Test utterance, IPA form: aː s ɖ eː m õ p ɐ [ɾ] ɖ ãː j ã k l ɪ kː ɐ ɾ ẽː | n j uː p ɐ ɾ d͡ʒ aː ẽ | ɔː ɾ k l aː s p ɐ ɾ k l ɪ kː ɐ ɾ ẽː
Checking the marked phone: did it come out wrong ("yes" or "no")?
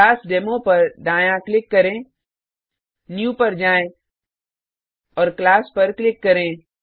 no